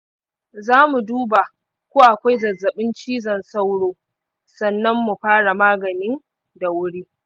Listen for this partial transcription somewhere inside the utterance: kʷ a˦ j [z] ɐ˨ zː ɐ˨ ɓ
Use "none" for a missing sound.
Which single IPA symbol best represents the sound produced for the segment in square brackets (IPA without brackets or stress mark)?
z